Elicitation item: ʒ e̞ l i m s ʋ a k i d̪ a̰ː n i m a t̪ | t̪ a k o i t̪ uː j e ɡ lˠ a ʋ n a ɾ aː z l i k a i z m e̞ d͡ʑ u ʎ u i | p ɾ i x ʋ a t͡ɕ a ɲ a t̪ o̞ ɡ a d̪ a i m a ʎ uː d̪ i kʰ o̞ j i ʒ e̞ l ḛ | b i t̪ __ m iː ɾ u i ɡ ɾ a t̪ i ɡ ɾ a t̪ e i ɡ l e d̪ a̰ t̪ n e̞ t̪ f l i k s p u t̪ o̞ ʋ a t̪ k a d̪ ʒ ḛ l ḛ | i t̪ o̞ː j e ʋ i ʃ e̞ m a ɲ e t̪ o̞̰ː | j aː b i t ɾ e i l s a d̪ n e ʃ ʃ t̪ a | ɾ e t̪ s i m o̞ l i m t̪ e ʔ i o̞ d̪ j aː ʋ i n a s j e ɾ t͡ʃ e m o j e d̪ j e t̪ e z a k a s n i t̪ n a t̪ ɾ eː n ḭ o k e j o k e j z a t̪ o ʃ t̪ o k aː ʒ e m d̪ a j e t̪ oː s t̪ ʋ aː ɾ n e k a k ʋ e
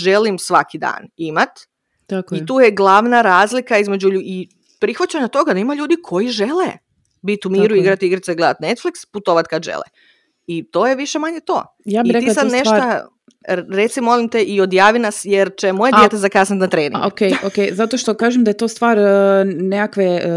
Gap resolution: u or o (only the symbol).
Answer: u